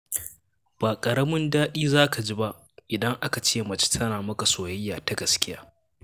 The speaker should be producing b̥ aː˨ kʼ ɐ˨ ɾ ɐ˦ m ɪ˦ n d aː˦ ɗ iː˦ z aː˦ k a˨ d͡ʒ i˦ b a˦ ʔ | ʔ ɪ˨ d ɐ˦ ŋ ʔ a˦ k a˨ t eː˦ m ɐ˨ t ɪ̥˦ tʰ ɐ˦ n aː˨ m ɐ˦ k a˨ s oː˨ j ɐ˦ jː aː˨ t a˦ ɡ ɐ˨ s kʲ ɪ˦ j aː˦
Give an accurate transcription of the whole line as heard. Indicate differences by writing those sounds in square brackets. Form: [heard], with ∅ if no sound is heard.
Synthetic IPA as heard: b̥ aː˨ kʼ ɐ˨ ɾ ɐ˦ m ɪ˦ n d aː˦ ɗ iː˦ z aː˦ k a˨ d͡ʒ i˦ b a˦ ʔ | ʔ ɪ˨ d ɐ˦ ŋ ʔ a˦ k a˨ [t͡ʃ] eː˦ m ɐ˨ [t͡ʃ] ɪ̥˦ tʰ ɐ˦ n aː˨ m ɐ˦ k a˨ s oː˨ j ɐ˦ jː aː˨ t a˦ ɡ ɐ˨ s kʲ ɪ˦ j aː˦